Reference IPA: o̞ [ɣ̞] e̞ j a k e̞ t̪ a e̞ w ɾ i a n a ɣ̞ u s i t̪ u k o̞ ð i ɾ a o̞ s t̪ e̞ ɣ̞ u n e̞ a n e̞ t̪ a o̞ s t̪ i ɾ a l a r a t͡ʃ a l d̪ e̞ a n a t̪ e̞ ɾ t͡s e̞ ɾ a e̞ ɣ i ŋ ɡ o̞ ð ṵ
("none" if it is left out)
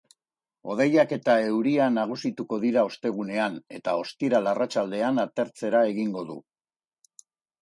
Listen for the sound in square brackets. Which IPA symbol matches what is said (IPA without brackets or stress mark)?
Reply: ð̞